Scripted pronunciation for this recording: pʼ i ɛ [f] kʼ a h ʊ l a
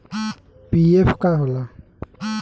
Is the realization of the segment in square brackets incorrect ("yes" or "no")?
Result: no